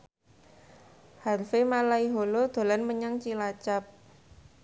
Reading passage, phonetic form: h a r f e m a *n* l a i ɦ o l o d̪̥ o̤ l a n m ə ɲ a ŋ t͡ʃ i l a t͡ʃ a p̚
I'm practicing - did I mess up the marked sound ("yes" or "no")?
yes